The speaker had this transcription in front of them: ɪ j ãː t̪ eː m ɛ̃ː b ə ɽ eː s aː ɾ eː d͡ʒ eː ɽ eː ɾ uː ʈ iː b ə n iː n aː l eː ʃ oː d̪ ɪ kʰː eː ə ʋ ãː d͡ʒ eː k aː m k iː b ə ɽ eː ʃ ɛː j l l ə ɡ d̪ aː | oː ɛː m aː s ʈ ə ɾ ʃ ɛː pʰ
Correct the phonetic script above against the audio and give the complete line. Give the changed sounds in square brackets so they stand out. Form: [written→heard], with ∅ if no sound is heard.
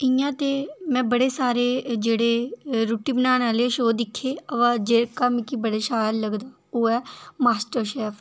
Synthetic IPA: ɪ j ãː t̪ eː m ɛ̃ː b ə ɽ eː s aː ɾ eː d͡ʒ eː ɽ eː ɾ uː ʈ iː b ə n [iː→aː] n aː l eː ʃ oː d̪ ɪ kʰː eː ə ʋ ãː d͡ʒ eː k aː m k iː b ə ɽ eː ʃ [ɛː→aː] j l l ə ɡ d̪ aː | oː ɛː m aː s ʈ ə ɾ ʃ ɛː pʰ